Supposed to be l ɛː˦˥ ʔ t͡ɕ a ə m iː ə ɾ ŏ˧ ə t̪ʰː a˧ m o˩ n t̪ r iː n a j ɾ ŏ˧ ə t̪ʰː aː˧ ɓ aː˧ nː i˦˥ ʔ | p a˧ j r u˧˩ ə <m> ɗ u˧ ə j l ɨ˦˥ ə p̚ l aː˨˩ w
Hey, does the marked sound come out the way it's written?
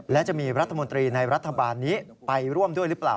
yes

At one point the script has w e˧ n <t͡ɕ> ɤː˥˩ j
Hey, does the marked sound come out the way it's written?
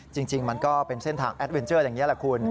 yes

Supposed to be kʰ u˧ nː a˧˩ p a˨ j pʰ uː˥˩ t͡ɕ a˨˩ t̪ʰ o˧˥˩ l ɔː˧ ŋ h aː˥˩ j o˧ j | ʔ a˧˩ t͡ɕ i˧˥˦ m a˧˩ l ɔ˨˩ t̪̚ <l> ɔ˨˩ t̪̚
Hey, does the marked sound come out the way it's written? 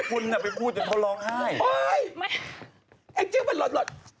yes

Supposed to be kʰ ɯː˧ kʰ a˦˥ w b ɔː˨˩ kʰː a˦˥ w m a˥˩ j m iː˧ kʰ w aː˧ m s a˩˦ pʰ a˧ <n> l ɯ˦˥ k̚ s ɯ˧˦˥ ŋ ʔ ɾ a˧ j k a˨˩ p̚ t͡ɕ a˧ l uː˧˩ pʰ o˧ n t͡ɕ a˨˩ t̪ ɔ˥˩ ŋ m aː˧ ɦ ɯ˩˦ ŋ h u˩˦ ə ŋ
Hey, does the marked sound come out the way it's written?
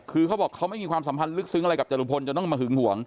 yes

